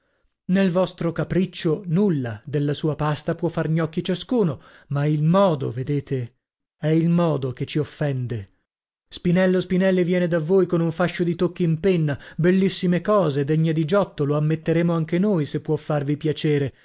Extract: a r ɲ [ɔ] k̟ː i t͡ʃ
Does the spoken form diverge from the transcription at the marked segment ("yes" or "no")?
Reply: no